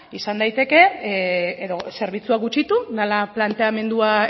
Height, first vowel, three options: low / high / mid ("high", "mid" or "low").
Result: high